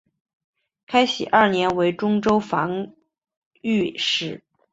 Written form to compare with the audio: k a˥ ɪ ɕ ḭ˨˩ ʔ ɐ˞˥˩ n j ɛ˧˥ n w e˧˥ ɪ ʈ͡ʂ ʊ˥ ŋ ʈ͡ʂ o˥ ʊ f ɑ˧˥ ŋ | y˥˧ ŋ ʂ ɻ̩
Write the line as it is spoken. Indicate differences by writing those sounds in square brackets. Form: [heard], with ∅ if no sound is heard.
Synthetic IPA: [kʰ] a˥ ɪ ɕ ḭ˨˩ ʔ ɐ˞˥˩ n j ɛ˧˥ n w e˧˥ ɪ ʈ͡ʂ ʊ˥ ŋ ʈ͡ʂ o˥ ʊ f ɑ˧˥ ŋ | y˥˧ [∅] ʂ ɻ̩

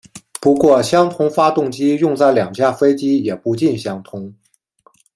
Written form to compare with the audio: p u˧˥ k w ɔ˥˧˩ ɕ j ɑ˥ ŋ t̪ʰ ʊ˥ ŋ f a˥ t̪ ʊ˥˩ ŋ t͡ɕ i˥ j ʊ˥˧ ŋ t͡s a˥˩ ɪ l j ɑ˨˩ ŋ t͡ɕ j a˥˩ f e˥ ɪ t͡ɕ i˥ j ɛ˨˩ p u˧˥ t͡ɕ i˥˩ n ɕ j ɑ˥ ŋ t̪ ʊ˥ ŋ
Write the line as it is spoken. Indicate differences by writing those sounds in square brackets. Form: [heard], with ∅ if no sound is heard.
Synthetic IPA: p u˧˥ k w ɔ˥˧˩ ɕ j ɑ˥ ŋ t̪ʰ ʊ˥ ŋ f a˥ t̪ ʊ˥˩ ŋ t͡ɕ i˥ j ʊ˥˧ ŋ t͡s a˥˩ ɪ l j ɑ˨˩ ŋ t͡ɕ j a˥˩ f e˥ ɪ t͡ɕ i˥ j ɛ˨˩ p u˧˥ t͡ɕ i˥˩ n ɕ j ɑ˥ ŋ [t̪ʰ] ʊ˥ ŋ

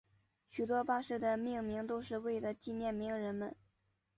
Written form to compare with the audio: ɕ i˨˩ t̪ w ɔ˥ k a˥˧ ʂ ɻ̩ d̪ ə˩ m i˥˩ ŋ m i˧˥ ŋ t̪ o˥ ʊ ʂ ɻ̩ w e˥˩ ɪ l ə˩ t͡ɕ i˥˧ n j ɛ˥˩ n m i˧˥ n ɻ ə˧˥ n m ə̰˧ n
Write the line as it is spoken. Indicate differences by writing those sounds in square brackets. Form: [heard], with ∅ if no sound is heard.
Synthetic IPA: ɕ [y˨˩] t̪ w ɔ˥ [p] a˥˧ ʂ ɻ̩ d̪ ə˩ m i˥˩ ŋ m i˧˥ ŋ t̪ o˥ ʊ ʂ ɻ̩ w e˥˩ ɪ l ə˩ t͡ɕ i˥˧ n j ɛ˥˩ n m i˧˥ [ŋ] ɻ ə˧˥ n m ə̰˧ n

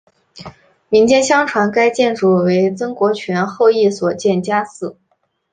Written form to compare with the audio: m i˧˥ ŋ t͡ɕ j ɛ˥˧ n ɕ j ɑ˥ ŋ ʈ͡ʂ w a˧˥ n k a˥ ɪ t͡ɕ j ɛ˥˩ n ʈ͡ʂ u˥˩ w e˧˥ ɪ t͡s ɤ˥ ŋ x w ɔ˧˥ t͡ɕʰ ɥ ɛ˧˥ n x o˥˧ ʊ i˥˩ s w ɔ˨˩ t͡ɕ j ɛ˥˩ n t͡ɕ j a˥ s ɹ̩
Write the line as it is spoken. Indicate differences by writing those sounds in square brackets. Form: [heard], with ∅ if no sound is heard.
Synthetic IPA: m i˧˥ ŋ t͡ɕ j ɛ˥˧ n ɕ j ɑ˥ ŋ [ʈ͡ʂʰ] w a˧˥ n k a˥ ɪ t͡ɕ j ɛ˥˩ n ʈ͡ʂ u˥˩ w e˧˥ ɪ t͡s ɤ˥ ŋ [k] w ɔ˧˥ t͡ɕʰ ɥ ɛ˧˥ n x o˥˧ ʊ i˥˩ s w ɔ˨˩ t͡ɕ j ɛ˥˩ n t͡ɕ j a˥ s ɹ̩

